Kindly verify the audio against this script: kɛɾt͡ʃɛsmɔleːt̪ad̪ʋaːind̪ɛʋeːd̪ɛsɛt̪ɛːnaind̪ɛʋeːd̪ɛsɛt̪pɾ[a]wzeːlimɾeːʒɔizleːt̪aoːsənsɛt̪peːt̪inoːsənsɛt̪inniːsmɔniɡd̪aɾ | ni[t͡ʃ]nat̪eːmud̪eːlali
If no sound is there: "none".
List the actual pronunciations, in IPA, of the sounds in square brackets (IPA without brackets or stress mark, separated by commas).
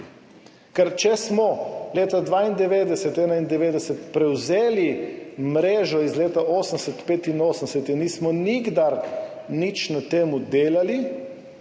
ɛ, t͡ʃ